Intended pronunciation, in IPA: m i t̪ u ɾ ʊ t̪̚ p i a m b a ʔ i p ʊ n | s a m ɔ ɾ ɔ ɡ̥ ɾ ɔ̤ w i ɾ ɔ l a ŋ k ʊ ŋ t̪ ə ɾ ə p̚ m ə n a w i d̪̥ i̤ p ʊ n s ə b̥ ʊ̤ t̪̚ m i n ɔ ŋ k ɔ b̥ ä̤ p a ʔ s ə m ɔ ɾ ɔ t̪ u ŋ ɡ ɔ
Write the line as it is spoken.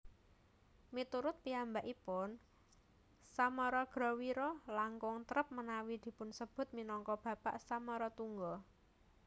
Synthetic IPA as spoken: m i t̪ u ɾ ʊ t̪̚ p i a m b a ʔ i p ʊ n | s a m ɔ ɾ ɔ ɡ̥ ɾ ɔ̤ w i ɾ ɔ l a ŋ k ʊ ŋ t̪ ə ɾ ə p̚ m ə n a w i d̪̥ i̤ p ʊ n s ə b̥ ʊ̤ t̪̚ m i n ɔ ŋ k ɔ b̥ ä̤ p a ʔ s a m ɔ ɾ ɔ t̪ u ŋ ɡ ɔ